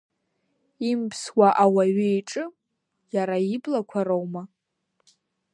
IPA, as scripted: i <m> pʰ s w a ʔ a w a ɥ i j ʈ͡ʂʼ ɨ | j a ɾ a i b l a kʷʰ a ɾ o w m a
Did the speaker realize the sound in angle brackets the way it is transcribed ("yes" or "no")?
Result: yes